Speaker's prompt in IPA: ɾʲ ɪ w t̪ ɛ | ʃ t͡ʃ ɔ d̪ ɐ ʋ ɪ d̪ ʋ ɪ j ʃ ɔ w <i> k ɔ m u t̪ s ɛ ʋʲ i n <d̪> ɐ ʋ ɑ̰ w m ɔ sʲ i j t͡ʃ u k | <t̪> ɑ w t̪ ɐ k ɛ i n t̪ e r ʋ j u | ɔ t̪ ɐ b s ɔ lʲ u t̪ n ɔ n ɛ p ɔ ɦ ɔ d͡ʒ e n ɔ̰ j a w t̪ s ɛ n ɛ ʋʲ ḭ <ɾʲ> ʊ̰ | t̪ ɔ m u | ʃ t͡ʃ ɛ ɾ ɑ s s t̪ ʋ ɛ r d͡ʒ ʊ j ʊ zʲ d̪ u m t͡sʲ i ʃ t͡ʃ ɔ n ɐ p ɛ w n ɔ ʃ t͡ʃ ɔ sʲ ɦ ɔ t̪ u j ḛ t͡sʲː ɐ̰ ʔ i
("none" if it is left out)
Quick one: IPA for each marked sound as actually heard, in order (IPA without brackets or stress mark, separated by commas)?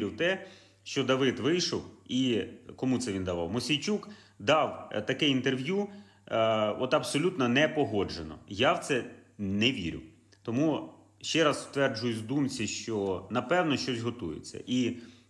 i, d̪, d̪, ɾʲ